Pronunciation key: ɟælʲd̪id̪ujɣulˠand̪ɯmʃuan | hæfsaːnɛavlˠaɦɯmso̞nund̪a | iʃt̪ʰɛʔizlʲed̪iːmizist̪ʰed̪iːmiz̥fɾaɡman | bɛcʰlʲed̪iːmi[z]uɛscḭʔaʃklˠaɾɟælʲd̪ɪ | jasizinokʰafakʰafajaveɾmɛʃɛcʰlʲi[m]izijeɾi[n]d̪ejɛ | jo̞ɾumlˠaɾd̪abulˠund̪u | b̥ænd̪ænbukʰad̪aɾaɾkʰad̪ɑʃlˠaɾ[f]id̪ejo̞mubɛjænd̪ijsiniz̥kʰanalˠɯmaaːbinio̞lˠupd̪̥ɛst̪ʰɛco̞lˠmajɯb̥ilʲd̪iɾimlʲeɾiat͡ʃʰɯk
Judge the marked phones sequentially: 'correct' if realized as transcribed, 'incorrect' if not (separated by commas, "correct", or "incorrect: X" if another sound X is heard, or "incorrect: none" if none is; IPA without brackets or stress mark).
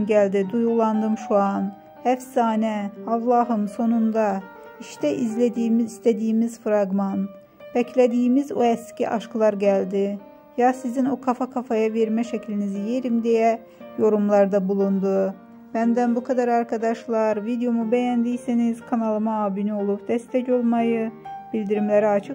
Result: correct, incorrect: n, incorrect: m, incorrect: v